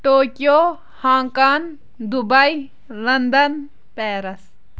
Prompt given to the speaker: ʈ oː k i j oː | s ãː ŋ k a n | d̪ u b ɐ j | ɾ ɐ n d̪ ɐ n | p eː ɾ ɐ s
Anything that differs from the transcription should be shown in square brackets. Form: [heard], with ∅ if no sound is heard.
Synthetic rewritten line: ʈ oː k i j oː | [h] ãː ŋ k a n | d̪ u b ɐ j | [l] ɐ n d̪ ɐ n | p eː ɾ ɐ s